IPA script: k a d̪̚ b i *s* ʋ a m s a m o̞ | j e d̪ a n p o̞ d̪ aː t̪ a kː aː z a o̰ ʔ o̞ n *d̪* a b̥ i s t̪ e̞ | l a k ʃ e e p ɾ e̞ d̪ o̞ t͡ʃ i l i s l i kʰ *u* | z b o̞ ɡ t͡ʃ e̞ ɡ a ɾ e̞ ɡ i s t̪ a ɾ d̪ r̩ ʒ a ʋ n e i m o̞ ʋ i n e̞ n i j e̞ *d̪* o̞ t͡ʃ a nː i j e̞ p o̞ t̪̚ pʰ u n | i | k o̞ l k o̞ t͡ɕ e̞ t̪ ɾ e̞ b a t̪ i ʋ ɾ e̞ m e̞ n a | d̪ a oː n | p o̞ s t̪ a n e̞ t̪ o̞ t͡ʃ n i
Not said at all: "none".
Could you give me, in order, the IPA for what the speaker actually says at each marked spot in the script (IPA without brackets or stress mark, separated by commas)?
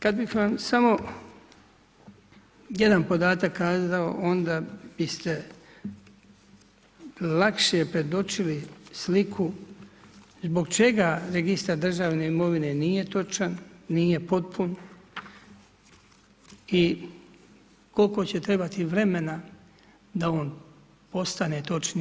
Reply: x, d̪, u, t̪